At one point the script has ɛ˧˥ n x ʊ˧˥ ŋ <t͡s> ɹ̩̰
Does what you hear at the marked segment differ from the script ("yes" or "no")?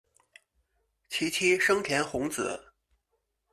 no